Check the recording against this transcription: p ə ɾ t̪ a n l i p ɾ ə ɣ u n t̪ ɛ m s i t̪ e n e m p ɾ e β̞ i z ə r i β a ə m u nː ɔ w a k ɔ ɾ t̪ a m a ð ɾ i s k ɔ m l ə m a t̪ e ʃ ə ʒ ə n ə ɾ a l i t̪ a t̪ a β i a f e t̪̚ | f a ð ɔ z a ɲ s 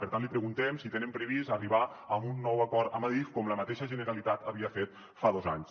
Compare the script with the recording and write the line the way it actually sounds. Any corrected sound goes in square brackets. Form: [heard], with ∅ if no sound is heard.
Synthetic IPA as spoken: p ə ɾ t̪ a n l i p ɾ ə ɣ u n t̪ ɛ m s i t̪ e n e m p ɾ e β̞ i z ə r i β a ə m u nː ɔ w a k ɔ ɾ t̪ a m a ð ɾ i [f] k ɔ m l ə m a t̪ e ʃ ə ʒ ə n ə ɾ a l i t̪ a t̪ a β i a f e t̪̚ | f a ð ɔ z a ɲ s

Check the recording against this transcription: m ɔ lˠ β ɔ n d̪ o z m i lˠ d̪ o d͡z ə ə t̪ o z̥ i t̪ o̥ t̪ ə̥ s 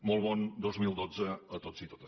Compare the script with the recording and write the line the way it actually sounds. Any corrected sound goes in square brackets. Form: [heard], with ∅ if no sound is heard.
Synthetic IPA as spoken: m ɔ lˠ β ɔ n d̪ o z m i lˠ d̪ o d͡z ə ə t̪ o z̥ i t̪ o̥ t̪ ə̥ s

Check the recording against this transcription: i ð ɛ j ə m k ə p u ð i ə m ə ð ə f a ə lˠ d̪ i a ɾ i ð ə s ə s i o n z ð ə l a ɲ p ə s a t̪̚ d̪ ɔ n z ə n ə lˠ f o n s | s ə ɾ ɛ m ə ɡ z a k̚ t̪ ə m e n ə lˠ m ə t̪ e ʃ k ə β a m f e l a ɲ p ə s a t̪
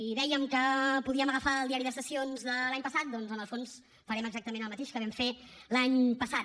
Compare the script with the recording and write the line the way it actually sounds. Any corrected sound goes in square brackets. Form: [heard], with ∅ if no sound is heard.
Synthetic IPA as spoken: i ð ɛ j ə m k ə p u ð i ə m ə [ɣ] ə f a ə lˠ d̪ i a ɾ i ð ə s ə s i o n z ð ə l a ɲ p ə s a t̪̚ d̪ ɔ n z ə n ə lˠ f o n s | [f] ə ɾ ɛ m ə ɡ z a k̚ t̪ ə m e n ə lˠ m ə t̪ e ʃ k ə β [ɛ] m f e l a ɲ p ə s a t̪

